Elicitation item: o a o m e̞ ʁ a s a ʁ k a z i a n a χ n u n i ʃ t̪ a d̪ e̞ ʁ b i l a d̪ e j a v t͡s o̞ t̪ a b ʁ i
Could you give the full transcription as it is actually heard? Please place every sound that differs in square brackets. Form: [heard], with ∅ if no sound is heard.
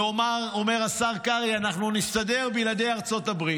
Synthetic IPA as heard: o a o m e̞ ʁ a s a ʁ k a [ʁ] i a n a χ n u n i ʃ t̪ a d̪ e̞ ʁ b i l a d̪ e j a [ʁ] t͡s o̞ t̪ a b ʁ i